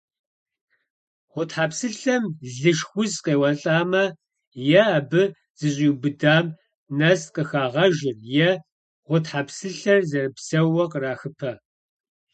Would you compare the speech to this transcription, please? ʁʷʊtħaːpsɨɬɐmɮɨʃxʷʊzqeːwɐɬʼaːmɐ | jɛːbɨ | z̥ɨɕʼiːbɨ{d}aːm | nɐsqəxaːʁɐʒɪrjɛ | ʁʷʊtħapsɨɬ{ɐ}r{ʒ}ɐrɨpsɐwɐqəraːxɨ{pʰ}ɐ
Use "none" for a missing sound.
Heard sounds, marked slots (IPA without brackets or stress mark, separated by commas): d, ɐ, z, pʰ